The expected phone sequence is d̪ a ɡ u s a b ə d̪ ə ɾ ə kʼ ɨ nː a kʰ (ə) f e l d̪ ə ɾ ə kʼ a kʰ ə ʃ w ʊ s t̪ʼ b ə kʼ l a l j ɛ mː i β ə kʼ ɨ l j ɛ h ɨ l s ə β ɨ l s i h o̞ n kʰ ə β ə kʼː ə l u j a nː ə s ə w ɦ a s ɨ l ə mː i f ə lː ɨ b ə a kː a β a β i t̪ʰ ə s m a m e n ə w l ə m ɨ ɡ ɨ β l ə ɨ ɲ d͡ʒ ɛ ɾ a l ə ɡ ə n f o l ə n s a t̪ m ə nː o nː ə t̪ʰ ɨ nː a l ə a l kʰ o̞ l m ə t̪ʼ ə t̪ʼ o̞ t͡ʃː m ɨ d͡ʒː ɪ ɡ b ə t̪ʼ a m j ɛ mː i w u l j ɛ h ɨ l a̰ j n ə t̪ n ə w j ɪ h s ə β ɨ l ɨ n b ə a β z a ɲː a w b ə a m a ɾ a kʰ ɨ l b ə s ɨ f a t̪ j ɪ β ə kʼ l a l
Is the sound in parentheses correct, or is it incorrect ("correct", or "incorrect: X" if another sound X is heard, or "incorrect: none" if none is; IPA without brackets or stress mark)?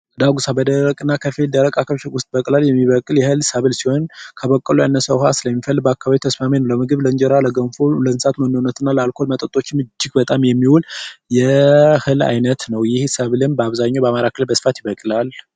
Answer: correct